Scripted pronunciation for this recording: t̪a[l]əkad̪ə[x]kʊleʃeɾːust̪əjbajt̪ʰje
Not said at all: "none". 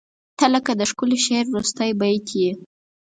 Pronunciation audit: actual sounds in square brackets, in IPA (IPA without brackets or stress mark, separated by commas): l, ʃ